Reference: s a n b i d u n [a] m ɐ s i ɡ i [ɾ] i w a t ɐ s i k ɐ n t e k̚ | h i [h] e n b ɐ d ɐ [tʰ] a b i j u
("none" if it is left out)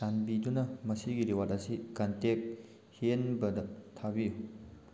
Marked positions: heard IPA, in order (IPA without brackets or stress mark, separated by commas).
ɐ, ɾ, none, tʰ